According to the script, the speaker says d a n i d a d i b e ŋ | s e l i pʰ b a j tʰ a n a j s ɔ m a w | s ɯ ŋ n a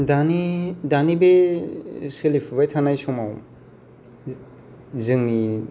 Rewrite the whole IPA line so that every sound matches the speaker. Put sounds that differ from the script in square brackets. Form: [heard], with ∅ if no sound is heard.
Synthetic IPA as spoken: d a n i d a [n] i b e [∅] | s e l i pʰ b a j tʰ a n a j s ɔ m a w | [z] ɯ ŋ n [i]

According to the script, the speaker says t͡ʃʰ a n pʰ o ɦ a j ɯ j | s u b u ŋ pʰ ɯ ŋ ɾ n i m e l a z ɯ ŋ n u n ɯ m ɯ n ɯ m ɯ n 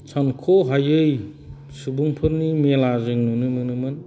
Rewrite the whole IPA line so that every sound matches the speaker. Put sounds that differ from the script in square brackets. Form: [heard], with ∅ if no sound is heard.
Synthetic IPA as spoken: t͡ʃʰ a n [kʰ] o ɦ a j ɯ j | s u b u ŋ pʰ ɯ [∅] ɾ n i m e l a z ɯ ŋ n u n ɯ m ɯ n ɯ m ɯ n

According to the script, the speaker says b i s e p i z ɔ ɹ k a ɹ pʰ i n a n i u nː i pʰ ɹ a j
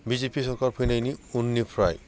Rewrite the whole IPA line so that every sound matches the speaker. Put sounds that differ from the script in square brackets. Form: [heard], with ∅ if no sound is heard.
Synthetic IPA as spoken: b i [z] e p i [s] ɔ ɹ k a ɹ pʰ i n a n i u nː i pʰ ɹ a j

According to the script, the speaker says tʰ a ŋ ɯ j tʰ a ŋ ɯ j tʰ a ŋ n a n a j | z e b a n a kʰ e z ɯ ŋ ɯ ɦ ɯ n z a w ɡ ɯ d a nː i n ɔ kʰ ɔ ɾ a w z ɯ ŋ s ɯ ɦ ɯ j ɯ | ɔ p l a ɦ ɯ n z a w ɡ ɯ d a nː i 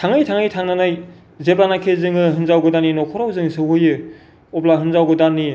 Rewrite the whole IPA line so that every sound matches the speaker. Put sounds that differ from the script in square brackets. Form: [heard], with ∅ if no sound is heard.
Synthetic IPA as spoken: tʰ a ŋ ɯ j tʰ a ŋ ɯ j tʰ a ŋ n a n a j | z e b a n a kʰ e z ɯ ŋ ɯ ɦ ɯ n z a w ɡ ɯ d a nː i n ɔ kʰ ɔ ɾ a w z ɯ ŋ s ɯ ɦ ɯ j ɯ | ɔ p l a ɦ ɯ n z a w ɡ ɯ d a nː i

